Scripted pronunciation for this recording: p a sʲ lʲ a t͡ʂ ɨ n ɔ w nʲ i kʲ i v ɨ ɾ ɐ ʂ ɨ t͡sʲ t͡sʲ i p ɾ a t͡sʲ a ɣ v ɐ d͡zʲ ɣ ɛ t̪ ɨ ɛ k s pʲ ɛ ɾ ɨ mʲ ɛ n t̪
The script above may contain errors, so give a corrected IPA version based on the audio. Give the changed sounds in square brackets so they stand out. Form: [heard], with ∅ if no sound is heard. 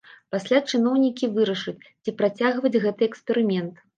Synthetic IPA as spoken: p a sʲ lʲ a t͡ʂ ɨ n ɔ w nʲ i kʲ i v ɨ ɾ ɐ ʂ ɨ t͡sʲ t͡sʲ i p ɾ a t͡sʲ a ɣ v ɐ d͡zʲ ɣ ɛ t̪ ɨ ɛ k s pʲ ɛ ɾ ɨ mʲ ɛ n t̪

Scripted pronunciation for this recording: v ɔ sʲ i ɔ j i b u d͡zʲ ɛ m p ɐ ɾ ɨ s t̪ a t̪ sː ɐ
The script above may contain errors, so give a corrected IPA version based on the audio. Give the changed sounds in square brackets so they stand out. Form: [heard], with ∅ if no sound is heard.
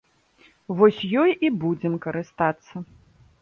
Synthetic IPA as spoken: v ɔ sʲ [j] ɔ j i b u d͡zʲ ɛ m [k] ɐ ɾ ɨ s t̪ a t̪ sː ɐ

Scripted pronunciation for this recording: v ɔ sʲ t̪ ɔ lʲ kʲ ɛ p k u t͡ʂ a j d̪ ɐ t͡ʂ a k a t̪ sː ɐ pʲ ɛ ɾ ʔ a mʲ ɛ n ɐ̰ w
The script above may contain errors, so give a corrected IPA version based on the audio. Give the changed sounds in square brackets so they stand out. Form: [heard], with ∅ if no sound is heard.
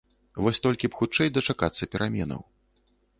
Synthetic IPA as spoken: v ɔ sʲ t̪ ɔ lʲ kʲ [i] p [x] u t͡ʂ [ɛ] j d̪ ɐ t͡ʂ a k a t̪ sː ɐ pʲ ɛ ɾ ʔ a mʲ ɛ n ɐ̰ w

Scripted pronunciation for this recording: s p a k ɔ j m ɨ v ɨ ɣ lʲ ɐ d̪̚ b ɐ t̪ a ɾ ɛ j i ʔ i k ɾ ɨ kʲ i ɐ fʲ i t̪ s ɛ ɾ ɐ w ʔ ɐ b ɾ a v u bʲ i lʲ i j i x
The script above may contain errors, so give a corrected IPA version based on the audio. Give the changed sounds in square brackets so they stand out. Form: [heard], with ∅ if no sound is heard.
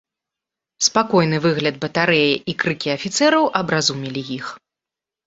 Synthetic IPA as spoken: s p a k ɔ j [n] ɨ v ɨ ɣ lʲ ɐ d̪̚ b ɐ t̪ a ɾ ɛ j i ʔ i k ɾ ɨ kʲ i ɐ fʲ i t̪ s ɛ ɾ ɐ w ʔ ɐ b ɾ a [z] u [mʲ] i lʲ i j i x

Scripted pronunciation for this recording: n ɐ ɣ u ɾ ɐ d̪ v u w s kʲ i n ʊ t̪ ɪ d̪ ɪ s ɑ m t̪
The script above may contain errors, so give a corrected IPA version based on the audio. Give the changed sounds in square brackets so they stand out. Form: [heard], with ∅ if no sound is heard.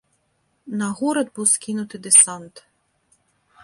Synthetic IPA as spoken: n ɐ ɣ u ɾ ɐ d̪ [b] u w s kʲ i n ʊ t̪ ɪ d̪ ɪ s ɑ [n] t̪

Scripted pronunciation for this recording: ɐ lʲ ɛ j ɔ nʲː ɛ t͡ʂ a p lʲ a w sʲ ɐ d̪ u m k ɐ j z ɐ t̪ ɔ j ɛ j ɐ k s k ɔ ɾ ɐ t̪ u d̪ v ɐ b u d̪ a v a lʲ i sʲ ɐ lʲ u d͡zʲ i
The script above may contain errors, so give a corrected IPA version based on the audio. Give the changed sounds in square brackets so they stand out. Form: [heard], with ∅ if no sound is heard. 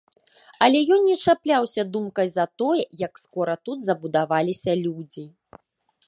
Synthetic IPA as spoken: ɐ lʲ ɛ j ɔ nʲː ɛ t͡ʂ a p lʲ a w sʲ ɐ d̪ u m k ɐ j z ɐ t̪ ɔ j ɛ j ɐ k s k ɔ ɾ ɐ t̪ u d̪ [z] ɐ b u d̪ a v a lʲ i sʲ ɐ lʲ u d͡zʲ i

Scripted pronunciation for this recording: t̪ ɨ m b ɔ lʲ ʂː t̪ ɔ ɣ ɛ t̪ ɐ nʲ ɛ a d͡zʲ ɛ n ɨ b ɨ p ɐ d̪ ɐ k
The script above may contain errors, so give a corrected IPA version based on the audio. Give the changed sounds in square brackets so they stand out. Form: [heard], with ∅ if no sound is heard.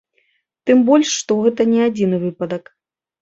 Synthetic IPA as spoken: t̪ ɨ m b ɔ lʲ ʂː t̪ ɔ ɣ ɛ t̪ ɐ nʲ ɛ a d͡zʲ [i] n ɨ [v] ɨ p ɐ d̪ ɐ k

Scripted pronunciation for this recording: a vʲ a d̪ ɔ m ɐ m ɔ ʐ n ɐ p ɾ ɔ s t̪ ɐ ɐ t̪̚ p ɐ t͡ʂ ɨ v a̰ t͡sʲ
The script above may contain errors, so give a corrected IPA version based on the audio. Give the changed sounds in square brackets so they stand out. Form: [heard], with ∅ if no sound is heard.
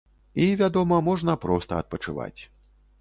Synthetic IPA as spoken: [i] vʲ a d̪ ɔ m ɐ m ɔ ʐ n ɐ p ɾ ɔ s t̪ ɐ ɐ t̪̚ p ɐ t͡ʂ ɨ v a̰ t͡sʲ

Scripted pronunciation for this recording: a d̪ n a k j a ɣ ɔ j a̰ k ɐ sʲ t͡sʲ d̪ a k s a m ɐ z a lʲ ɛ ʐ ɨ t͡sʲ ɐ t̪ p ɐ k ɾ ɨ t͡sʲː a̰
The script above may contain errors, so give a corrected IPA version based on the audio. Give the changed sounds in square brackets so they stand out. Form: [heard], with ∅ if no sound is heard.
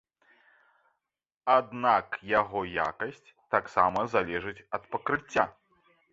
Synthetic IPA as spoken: a d̪ n a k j a ɣ ɔ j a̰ k ɐ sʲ t͡sʲ [t̪] a k s a m ɐ z a lʲ ɛ ʐ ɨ t͡sʲ ɐ t̪ p ɐ k ɾ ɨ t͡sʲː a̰

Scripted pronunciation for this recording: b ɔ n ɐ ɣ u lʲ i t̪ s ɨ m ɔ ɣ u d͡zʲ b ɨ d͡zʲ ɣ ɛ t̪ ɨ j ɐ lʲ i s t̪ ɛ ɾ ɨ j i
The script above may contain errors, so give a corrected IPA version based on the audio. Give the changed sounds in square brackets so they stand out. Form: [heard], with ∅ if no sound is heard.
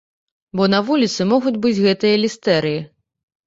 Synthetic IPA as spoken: b ɔ n ɐ [v] u lʲ i t̪ s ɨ m ɔ ɣ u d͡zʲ b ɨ d͡zʲ ɣ ɛ t̪ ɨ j ɐ lʲ i s t̪ ɛ ɾ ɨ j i

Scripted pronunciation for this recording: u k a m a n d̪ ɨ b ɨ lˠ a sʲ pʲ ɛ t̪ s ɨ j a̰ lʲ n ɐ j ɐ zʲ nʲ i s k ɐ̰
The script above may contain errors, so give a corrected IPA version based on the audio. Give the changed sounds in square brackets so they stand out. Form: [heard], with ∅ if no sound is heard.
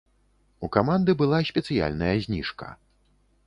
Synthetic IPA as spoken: u k a m a n d̪ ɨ b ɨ lˠ a sʲ pʲ ɛ t̪ s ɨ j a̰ lʲ n ɐ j ɐ zʲ nʲ i [ʂ] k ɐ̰

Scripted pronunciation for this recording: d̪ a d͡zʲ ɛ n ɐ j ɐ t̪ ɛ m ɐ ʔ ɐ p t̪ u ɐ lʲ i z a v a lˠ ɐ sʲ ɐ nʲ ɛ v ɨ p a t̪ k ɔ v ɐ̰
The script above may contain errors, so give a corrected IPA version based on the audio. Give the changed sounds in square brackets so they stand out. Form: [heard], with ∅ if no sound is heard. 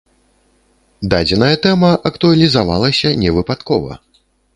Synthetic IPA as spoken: d̪ a d͡zʲ ɛ n ɐ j ɐ t̪ ɛ m ɐ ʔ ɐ [k] t̪ u ɐ lʲ i z a v a lˠ ɐ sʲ ɐ nʲ ɛ v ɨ p a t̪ k ɔ v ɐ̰

